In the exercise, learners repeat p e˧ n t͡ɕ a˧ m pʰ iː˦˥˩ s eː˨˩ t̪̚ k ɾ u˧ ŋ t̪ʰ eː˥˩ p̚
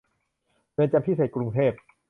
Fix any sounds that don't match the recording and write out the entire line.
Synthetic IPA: p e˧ n t͡ɕ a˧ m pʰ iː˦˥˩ s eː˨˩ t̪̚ k ɾ u˧ ŋ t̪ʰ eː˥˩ p̚